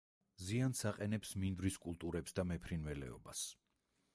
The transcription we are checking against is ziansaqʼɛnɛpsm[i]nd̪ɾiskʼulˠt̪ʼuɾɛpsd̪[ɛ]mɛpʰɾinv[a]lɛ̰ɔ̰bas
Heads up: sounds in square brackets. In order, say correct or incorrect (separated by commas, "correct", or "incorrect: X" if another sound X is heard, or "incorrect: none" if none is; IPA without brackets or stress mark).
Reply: correct, incorrect: a, incorrect: ɛ